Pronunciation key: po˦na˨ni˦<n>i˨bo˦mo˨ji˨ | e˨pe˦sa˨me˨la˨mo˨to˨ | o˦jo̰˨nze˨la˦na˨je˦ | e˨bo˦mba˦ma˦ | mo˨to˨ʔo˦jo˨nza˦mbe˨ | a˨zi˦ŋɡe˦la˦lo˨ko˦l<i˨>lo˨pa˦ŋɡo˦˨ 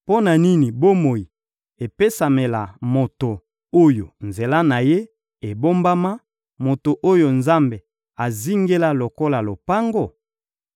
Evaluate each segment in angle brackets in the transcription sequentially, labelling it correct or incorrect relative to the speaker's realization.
correct, incorrect: a˨

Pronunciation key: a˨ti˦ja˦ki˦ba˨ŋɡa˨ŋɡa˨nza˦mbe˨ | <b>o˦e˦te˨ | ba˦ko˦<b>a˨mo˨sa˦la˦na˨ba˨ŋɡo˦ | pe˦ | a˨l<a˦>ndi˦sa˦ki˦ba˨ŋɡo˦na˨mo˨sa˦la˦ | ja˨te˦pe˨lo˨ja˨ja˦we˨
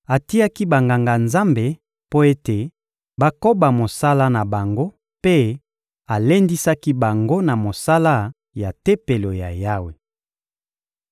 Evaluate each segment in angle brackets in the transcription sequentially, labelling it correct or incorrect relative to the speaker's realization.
incorrect: p, correct, incorrect: e˦

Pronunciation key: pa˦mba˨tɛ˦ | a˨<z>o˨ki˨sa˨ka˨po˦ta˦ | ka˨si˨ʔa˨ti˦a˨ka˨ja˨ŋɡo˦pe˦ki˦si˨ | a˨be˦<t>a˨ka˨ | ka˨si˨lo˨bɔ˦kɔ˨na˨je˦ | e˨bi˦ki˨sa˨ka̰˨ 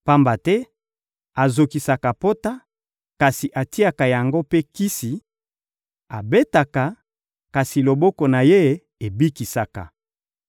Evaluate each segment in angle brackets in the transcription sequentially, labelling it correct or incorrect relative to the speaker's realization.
correct, correct

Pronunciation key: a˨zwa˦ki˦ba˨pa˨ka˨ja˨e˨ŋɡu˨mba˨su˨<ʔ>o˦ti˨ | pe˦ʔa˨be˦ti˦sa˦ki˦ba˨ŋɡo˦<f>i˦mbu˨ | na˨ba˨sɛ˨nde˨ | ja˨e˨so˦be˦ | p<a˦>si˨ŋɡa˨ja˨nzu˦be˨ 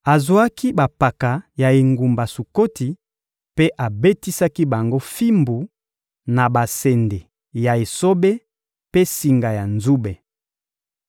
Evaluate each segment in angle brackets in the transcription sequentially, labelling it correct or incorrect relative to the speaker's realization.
incorrect: k, correct, incorrect: e˦

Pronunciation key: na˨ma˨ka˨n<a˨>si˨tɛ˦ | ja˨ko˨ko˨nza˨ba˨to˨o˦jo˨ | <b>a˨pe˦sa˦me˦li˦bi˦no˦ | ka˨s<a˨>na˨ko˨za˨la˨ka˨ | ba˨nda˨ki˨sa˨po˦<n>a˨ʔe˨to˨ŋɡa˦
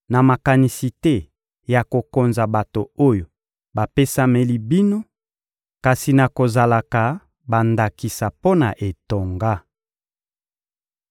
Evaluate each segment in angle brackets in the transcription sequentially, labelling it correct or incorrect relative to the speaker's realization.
incorrect: i˨, correct, incorrect: i˨, correct

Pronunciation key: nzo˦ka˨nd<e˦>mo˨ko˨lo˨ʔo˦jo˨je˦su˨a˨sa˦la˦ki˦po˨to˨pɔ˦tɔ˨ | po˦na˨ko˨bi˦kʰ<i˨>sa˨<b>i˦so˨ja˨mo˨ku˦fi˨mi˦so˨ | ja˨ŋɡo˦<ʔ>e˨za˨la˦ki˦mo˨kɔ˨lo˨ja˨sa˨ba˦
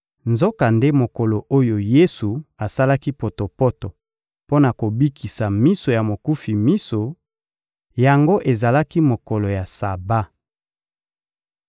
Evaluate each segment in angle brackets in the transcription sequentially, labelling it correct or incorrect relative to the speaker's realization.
correct, correct, incorrect: m, correct

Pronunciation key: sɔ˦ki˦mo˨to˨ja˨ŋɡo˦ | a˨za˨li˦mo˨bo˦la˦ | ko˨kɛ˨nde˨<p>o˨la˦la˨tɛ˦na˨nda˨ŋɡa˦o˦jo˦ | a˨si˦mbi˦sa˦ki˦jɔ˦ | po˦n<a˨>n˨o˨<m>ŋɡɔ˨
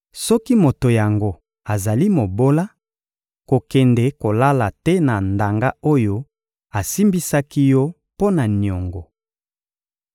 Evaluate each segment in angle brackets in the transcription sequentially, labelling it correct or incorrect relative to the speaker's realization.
incorrect: k, correct, incorrect: none

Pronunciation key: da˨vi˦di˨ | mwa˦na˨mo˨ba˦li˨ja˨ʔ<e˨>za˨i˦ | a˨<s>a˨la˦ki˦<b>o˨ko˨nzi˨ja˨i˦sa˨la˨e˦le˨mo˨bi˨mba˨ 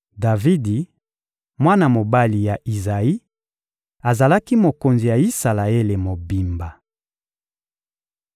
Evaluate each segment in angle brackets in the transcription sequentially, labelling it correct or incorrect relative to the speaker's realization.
incorrect: i˨, incorrect: z, incorrect: m

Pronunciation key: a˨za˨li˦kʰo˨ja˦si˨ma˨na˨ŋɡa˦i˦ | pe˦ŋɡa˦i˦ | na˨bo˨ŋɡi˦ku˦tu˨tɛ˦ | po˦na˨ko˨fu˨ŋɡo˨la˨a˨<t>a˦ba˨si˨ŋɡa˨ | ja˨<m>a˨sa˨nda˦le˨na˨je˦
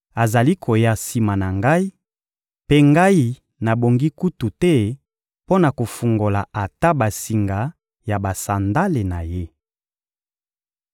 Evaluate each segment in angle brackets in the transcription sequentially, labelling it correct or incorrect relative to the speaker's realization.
correct, incorrect: b

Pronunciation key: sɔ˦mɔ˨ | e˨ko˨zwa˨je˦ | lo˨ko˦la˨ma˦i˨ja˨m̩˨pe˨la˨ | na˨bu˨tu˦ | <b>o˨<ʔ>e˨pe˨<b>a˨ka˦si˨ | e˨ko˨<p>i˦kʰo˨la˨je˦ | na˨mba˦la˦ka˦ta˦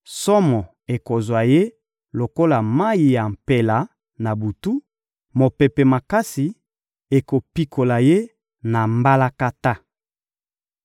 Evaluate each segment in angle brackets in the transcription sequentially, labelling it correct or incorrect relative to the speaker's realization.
incorrect: m, incorrect: p, incorrect: m, correct

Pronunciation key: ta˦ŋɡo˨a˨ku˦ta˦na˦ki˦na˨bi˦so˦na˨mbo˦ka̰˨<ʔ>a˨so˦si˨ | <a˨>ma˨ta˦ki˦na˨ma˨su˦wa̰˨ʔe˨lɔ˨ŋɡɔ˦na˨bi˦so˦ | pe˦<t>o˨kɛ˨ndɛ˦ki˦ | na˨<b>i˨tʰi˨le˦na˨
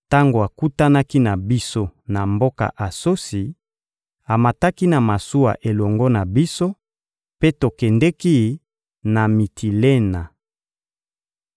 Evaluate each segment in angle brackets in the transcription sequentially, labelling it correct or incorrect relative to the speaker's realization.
correct, correct, correct, incorrect: m

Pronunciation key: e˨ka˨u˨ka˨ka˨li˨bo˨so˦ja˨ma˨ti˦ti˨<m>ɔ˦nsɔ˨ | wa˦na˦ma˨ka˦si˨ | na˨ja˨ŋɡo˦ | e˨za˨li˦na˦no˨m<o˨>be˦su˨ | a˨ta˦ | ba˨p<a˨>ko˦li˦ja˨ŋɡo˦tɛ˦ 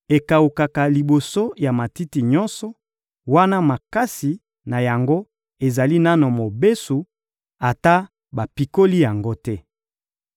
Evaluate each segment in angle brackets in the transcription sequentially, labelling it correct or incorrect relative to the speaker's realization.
incorrect: ɲ, correct, incorrect: i˨

